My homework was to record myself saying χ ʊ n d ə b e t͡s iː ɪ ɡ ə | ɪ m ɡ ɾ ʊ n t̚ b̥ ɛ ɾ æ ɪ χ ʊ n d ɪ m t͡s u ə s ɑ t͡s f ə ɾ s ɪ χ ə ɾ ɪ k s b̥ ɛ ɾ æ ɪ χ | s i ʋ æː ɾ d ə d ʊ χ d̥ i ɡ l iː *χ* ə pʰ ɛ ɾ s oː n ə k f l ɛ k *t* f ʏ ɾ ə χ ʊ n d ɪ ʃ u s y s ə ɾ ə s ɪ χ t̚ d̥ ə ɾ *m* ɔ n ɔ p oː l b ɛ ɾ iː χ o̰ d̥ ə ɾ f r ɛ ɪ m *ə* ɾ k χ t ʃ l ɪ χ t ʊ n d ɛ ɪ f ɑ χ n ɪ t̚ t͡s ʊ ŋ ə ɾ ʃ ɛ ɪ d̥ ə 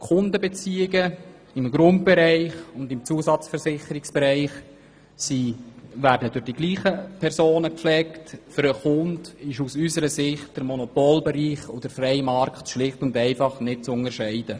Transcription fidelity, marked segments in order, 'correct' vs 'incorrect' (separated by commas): correct, correct, correct, incorrect